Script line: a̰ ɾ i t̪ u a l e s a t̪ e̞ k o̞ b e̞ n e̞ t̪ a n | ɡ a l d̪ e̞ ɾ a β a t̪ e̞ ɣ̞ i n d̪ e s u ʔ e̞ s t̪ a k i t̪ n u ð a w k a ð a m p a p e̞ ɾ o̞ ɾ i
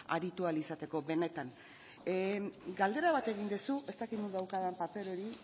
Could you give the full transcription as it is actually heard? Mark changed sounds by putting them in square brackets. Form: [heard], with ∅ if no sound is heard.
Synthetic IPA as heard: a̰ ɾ i t̪ u a l [i] s a t̪ e̞ k o̞ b e̞ n e̞ t̪ a n | ɡ a l d̪ e̞ ɾ a β a t̪ e̞ ɣ̞ i n d̪ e s u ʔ e̞ s t̪ a k i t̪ n u ð a w k a ð a m p a p e̞ ɾ o̞ ɾ i